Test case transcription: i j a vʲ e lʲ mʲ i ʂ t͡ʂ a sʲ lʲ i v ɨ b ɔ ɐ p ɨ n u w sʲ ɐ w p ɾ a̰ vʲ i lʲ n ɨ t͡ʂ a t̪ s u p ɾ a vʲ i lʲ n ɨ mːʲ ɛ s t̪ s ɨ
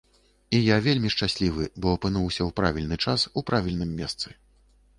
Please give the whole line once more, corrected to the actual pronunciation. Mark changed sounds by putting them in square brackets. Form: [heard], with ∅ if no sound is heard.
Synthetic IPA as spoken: i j a vʲ e lʲ mʲ i ʂ t͡ʂ a sʲ lʲ i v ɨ b ɔ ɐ p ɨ n u w sʲ ɐ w p ɾ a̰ vʲ i lʲ n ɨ t͡ʂ a [∅] s u p ɾ a vʲ i lʲ n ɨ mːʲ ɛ s t̪ s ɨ